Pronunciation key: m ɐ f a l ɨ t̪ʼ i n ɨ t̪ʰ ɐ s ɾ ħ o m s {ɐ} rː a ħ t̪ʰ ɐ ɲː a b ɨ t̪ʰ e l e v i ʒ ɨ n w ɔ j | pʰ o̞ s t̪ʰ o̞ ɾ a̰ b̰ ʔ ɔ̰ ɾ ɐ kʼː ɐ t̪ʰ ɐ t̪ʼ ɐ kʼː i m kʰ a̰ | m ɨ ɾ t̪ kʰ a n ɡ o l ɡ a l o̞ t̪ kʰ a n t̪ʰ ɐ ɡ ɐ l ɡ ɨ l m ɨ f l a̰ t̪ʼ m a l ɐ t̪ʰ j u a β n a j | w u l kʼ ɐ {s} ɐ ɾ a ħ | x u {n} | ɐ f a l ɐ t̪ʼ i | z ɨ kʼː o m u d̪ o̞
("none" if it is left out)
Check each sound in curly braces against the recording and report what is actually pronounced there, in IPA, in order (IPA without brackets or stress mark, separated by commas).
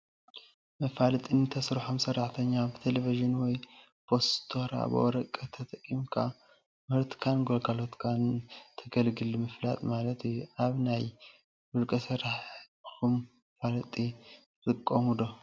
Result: ɐ, s, m